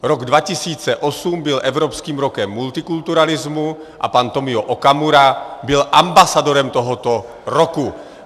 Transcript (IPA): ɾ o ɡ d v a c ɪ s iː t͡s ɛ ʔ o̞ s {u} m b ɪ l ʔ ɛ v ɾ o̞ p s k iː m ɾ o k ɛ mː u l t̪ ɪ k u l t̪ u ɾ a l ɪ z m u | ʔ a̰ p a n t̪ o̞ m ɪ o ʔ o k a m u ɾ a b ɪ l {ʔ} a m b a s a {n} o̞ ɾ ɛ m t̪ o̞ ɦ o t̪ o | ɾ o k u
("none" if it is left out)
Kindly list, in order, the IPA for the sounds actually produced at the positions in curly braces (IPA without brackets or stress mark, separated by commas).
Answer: u, ʔ, d